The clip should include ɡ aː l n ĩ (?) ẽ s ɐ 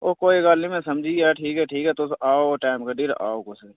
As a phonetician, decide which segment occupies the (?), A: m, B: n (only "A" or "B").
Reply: A